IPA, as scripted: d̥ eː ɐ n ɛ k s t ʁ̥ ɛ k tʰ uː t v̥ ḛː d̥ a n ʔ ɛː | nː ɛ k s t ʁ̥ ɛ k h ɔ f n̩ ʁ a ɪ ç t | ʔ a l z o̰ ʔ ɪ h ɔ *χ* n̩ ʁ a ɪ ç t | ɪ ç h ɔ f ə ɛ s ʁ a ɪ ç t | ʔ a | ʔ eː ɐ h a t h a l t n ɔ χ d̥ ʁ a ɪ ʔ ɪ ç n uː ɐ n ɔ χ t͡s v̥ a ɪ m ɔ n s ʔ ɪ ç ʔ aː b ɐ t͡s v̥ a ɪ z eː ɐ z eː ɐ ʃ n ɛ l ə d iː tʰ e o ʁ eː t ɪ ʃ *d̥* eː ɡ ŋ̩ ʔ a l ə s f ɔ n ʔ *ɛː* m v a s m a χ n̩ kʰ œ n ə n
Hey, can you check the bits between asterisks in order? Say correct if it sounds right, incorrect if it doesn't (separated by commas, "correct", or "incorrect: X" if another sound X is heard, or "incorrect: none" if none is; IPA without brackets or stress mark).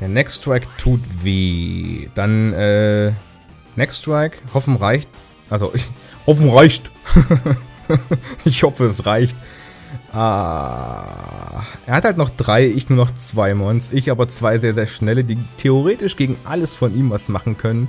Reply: incorrect: f, incorrect: ɡ̥, incorrect: iː